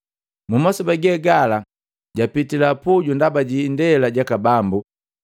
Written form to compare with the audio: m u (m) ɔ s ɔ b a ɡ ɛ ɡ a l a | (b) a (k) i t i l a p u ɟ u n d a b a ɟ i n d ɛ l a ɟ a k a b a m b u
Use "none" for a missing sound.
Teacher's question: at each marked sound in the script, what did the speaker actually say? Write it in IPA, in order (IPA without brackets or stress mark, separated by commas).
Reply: m, ɟ, p